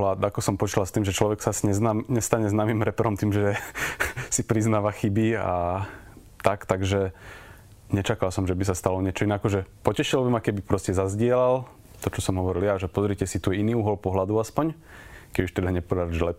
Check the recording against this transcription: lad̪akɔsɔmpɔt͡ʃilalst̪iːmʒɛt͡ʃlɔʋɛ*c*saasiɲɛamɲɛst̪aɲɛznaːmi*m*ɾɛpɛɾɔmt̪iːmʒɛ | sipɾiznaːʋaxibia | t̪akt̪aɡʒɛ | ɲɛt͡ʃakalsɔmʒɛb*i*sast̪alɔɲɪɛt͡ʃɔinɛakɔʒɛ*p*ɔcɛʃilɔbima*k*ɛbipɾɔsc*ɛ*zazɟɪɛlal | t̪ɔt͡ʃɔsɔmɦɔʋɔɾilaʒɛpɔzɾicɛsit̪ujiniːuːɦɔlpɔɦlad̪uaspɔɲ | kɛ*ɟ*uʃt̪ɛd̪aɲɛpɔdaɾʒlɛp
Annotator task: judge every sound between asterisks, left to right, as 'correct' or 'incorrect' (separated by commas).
incorrect, correct, correct, correct, correct, correct, incorrect